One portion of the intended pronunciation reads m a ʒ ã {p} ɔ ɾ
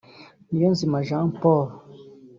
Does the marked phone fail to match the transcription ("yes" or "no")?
no